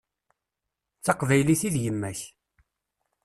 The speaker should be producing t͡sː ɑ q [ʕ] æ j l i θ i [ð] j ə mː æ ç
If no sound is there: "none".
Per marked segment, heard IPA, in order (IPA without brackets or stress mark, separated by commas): v, ð